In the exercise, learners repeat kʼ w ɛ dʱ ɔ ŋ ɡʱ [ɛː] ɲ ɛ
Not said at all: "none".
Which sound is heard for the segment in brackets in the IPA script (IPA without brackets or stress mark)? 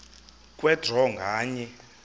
aː